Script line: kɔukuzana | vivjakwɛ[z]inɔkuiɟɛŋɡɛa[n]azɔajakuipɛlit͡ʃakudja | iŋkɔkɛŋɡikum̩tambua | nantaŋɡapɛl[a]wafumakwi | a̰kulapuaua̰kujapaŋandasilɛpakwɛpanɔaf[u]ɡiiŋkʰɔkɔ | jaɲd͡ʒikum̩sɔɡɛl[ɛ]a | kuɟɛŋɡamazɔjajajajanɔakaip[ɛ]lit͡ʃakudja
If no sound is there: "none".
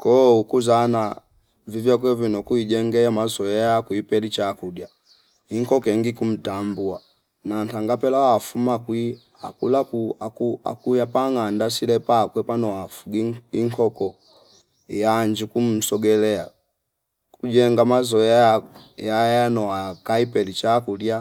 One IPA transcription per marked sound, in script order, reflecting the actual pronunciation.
v, m, a, u, ɛ, ɛ

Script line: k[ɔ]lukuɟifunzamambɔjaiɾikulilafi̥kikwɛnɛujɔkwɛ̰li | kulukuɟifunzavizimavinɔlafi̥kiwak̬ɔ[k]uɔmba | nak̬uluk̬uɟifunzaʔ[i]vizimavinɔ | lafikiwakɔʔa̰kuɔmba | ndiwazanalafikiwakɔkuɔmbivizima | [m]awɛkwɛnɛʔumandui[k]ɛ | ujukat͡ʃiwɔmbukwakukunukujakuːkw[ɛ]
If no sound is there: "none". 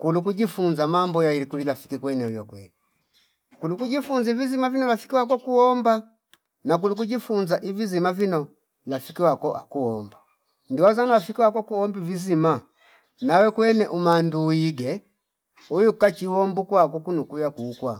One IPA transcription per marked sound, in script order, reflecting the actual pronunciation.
u, k, i, n, ɡ, a

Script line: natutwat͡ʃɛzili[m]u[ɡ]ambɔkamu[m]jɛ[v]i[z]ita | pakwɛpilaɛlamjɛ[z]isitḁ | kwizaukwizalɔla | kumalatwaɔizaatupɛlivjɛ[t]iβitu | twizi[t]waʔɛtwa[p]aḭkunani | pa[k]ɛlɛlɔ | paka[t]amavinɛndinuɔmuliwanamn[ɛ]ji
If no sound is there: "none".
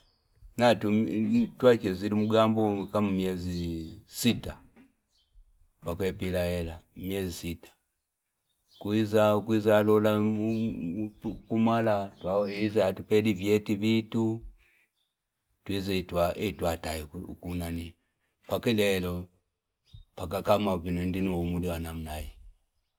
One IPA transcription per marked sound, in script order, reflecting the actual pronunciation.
m, ɡ, m, z, s, z, t, t, t, k, k, a

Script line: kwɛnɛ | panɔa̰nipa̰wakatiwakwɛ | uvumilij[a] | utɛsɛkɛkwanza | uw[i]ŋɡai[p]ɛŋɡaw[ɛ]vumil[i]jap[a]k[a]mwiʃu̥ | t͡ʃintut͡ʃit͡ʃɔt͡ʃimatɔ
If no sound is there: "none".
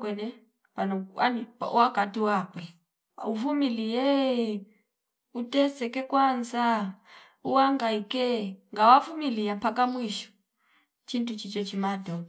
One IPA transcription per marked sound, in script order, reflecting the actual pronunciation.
ɛ, a, k, a, i, a, a

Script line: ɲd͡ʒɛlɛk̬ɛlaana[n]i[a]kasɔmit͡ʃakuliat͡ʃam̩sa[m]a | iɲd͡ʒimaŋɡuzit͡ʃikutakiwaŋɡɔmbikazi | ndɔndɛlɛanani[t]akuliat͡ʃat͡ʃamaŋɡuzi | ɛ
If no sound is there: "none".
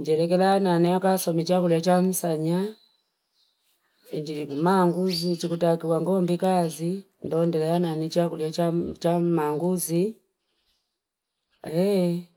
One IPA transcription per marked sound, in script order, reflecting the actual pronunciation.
n, a, ɲ, t͡ʃ

